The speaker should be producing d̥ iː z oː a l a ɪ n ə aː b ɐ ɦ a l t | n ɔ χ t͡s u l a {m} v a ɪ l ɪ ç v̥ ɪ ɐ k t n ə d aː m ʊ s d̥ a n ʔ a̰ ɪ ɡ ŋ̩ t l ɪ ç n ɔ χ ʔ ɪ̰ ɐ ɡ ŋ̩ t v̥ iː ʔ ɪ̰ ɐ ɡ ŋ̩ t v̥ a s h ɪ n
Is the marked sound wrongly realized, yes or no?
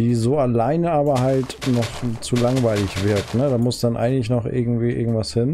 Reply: yes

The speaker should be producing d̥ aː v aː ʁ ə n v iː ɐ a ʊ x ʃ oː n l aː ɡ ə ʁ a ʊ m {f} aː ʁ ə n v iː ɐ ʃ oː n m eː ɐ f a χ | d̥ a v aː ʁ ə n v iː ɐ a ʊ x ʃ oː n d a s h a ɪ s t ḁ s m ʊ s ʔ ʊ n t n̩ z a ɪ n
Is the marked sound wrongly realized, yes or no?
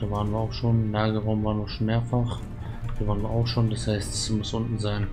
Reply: yes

